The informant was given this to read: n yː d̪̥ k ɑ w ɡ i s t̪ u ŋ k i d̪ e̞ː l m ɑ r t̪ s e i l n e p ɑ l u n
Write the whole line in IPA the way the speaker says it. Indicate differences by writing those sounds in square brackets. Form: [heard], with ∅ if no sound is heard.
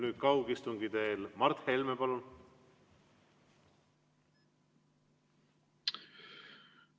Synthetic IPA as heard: n yː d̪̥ k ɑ w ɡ i s t̪ u ŋ [ɡ] i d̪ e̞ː l m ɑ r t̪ [h] e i l [m] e p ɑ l u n

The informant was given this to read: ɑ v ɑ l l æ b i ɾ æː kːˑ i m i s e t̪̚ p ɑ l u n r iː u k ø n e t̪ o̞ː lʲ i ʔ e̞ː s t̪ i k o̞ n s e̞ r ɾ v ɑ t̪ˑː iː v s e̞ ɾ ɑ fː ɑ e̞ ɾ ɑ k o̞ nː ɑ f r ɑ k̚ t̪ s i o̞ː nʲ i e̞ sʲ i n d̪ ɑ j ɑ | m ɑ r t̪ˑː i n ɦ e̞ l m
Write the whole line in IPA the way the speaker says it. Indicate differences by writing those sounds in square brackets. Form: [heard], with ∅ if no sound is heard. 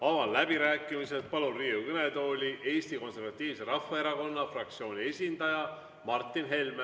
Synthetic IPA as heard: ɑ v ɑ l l æ b i ɾ æː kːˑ i m i s e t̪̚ p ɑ l u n r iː u k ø n e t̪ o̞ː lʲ i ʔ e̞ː s t̪ i k o̞ n s e̞ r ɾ v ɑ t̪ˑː iː v s e̞ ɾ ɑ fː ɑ e̞ ɾ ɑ k o̞ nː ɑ f r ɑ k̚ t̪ s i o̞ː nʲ i e̞ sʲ i n d̪ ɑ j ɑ | m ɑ r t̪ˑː i n ɦ e̞ l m

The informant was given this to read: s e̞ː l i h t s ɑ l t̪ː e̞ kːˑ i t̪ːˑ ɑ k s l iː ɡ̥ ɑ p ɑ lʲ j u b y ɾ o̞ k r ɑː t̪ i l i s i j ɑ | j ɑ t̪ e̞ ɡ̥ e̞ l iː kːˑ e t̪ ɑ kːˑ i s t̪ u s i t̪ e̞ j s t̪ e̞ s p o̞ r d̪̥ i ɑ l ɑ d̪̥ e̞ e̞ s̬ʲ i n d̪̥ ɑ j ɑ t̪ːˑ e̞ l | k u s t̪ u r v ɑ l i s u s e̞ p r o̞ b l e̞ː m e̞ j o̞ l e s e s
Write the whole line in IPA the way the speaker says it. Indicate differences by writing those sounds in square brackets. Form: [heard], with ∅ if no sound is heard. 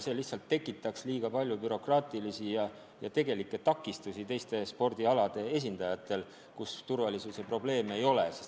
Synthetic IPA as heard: s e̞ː l i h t s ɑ l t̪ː e̞ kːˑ i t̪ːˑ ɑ k s l iː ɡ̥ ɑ p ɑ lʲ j u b y ɾ o̞ k r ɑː t̪ i l i s i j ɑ | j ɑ t̪ e̞ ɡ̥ e̞ l [i] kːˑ e t̪ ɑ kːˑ i s t̪ u s i t̪ e̞ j s t̪ e̞ s p o̞ r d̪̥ i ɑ l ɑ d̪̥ e̞ e̞ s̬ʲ i n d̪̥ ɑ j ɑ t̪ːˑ e̞ l | k u s t̪ u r v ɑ l i s u s e̞ p r o̞ b l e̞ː m e̞ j o̞ l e s e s

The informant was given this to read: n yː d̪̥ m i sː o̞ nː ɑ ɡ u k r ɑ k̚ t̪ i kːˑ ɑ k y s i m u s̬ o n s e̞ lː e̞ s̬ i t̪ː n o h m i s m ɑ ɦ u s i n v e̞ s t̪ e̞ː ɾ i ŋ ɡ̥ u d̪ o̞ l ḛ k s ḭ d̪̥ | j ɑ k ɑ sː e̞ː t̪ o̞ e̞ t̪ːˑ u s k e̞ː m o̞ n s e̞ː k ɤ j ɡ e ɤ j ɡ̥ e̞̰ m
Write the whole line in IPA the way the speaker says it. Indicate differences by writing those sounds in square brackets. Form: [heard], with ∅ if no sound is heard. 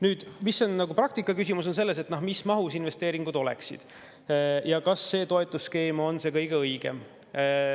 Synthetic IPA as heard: n yː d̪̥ m i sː o̞ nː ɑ ɡ u [p] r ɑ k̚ t̪ i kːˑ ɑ k y s i m u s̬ o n s e̞ lː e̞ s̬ [e] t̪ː n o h m i s m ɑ ɦ u s i n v e̞ s t̪ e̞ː ɾ i ŋ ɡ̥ u d̪ o̞ l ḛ k s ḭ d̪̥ | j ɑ k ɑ sː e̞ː t̪ o̞ e̞ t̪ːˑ u s k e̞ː m o̞ n s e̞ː k ɤ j ɡ e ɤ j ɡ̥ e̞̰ m

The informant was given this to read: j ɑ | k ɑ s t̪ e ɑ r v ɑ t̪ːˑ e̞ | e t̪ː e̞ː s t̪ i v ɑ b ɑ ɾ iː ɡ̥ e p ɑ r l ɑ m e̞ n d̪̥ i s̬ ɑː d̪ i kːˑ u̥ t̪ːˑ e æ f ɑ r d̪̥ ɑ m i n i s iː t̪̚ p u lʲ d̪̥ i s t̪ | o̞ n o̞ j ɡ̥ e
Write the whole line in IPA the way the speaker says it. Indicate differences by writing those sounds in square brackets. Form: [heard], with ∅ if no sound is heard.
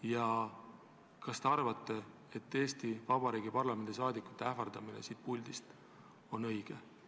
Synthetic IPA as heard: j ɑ | k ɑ s t̪ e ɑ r v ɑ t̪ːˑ e̞ | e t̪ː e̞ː s t̪ i v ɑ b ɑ ɾ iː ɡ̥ [i] p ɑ r l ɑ m e̞ n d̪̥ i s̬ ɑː d̪ i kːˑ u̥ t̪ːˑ e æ f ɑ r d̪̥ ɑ m i n [e] s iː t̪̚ p u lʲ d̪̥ i s t̪ | o̞ n [ɤ̞] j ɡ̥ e

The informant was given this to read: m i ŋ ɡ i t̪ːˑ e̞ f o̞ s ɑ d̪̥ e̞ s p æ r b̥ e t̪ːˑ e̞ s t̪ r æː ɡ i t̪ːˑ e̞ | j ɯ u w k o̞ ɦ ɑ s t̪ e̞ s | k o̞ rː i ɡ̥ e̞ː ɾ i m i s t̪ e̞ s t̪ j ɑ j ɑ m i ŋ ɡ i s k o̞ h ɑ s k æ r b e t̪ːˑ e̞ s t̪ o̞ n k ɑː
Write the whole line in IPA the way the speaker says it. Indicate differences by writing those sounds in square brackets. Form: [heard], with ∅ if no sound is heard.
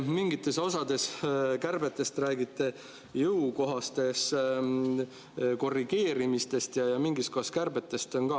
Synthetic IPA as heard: m i ŋ ɡ i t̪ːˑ e̞ [s] o̞ s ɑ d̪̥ e̞ s [k] æ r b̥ e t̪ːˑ e̞ s t̪ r æː ɡ i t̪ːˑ e̞ | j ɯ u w k o̞ ɦ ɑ s t̪ e̞ s | k o̞ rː i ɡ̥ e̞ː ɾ i m i s t̪ e̞ s t̪ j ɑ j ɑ m i ŋ ɡ i s k o̞ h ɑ s k æ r b e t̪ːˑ e̞ s t̪ o̞ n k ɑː

